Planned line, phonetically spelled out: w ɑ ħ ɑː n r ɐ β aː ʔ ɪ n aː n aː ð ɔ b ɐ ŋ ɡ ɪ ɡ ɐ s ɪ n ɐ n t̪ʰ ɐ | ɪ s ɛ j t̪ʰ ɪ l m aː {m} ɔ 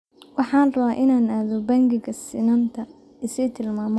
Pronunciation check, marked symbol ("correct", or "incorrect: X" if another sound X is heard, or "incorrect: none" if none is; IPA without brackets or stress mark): correct